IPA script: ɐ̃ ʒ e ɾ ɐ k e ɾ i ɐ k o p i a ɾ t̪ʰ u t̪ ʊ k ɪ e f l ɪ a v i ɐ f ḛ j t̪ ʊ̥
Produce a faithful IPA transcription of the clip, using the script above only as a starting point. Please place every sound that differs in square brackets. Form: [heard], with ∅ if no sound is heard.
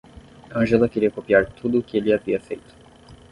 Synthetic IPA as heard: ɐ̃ ʒ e [l] ɐ k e ɾ i ɐ k o p i a ɾ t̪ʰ u [d̪] ʊ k ɪ e [∅] l ɪ a v i ɐ f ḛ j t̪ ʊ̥